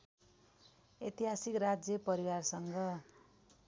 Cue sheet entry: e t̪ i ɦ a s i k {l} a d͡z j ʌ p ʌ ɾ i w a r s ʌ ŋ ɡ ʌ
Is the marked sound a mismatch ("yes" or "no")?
yes